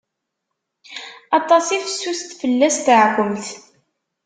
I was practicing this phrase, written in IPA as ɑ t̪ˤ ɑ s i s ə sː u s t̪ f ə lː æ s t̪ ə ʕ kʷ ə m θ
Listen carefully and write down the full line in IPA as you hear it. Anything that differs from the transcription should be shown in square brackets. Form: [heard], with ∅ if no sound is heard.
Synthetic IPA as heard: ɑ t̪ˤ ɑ s i [f] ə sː u s t̪ f ə lː æ s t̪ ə ʕ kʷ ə m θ